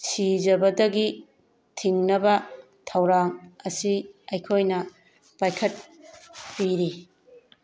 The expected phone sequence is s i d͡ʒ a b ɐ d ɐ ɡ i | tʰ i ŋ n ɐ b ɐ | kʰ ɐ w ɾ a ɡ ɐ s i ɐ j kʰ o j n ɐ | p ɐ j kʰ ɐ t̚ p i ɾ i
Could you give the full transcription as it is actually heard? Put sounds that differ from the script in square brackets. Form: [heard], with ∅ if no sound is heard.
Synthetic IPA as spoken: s i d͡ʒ [ɐ] b ɐ d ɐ ɡ i | tʰ i ŋ n ɐ b ɐ | [tʰ] ɐ w ɾ a [ŋ] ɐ s i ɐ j kʰ o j n ɐ | p [a] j kʰ ɐ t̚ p i ɾ i